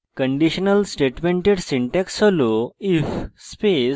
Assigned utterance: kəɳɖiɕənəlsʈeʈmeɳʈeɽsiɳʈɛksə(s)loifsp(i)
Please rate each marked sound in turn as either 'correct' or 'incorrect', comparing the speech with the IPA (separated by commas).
incorrect, incorrect